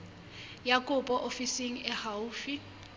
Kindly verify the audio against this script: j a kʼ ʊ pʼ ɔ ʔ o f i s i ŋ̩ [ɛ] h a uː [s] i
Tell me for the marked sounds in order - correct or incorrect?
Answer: correct, incorrect: f

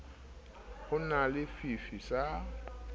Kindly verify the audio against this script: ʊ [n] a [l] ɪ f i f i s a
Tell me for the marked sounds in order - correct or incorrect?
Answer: correct, correct

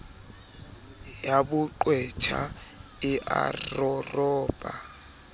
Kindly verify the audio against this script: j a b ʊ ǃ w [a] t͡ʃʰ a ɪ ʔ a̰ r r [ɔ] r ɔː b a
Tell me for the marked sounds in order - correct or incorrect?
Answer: incorrect: ɛ, correct

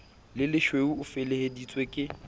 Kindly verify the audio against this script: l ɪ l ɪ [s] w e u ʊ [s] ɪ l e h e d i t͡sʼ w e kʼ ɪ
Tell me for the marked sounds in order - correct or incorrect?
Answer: incorrect: ʃ, incorrect: f

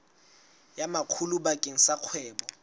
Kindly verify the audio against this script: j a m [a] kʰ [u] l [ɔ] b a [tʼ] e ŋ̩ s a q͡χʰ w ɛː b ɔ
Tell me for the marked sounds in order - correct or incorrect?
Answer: correct, correct, incorrect: u, incorrect: kʼ

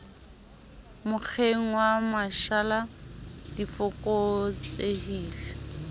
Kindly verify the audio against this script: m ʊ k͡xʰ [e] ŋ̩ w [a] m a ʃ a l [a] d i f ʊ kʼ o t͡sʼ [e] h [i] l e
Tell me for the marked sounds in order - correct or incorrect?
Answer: correct, correct, correct, correct, incorrect: iː

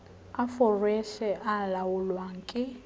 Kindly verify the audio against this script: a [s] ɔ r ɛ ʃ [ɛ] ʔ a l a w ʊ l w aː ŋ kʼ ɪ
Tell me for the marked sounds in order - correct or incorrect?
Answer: incorrect: f, correct

